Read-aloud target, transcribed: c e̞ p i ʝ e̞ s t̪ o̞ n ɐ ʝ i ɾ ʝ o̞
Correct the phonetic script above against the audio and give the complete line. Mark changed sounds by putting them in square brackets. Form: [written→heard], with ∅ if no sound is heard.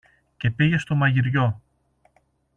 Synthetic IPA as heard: c e̞ p i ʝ e̞ s t̪ o̞ [n→m] ɐ ʝ i ɾ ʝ o̞